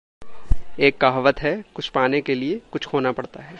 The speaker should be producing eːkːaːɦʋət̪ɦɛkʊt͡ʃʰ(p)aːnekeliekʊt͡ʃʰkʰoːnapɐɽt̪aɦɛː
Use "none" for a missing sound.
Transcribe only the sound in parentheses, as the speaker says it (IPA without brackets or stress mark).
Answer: p